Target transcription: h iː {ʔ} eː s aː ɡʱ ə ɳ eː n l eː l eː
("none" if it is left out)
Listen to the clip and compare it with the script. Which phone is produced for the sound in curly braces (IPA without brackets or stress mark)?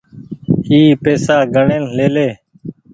p